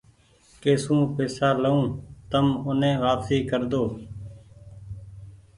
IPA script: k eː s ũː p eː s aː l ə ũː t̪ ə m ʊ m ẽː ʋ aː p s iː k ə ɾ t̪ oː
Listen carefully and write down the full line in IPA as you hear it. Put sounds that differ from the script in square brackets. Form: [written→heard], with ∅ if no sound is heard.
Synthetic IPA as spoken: k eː s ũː p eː s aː l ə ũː t̪ ə m ʊ [m→n] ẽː ʋ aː p s iː k ə ɾ [t̪→d̪] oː